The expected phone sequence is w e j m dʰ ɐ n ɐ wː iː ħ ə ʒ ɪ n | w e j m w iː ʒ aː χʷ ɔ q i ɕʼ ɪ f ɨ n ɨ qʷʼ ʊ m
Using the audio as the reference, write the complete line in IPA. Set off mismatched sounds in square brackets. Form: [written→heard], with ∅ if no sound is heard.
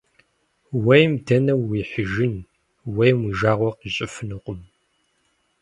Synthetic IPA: w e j m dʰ ɐ n ɐ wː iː ħ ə ʒ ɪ n | w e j m w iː ʒ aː [χʷ→ʁʷ] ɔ q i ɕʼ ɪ f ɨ n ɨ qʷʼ ʊ m